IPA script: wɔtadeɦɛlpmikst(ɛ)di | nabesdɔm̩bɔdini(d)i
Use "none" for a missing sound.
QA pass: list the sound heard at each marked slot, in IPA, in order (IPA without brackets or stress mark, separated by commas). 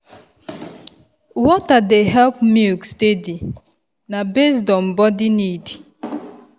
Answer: e, d